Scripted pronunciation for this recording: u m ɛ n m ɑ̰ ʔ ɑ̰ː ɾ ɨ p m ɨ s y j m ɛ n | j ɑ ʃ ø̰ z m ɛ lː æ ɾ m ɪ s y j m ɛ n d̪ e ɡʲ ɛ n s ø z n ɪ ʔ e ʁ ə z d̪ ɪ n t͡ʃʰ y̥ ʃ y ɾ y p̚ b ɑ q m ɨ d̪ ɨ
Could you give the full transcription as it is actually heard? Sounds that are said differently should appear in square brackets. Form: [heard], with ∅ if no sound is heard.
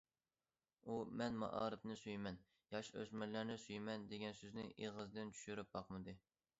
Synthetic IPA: u m ɛ n m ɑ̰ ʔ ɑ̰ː ɾ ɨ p [n] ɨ s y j m ɛ n | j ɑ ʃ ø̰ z m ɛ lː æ ɾ [n] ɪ s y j m ɛ n d̪ e ɡʲ ɛ n s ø z n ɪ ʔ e ʁ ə z d̪ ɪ n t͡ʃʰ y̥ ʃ y ɾ y p̚ b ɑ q m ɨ d̪ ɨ